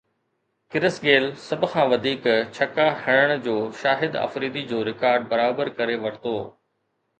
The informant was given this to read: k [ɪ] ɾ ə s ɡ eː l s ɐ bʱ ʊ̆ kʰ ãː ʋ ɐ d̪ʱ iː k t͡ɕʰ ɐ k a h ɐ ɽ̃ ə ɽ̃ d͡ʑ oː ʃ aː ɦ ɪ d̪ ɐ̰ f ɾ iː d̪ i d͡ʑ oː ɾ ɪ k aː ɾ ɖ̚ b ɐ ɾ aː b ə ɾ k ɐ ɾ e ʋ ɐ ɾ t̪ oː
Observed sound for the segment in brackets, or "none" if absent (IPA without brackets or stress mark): ɪ